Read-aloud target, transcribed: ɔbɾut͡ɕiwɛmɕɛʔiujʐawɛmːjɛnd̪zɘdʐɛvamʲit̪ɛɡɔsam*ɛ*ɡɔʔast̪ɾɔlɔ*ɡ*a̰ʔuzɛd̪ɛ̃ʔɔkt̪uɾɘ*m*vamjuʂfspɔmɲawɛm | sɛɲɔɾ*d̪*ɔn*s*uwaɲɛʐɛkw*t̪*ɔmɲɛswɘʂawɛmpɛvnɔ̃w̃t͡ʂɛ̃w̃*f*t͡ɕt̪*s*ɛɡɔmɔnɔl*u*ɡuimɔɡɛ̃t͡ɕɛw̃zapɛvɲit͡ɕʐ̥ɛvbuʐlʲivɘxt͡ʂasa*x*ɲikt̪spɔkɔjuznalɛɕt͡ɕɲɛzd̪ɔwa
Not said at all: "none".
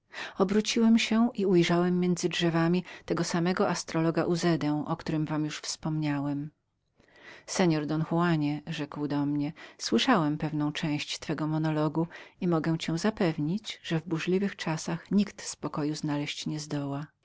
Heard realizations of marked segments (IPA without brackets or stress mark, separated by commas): ɛ, ɡ, m, d̪, x, d̪, ɕ, f, ɔ, x